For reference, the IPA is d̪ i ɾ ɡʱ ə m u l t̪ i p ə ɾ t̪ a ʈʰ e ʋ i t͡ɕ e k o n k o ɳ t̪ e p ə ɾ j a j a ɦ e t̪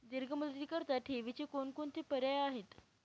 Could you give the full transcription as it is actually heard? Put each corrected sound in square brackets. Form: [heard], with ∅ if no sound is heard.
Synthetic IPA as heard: d̪ i ɾ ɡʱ ə m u l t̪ i [k] ə ɾ t̪ a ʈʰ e ʋ i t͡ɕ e k o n k o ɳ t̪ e p ə ɾ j a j a ɦ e t̪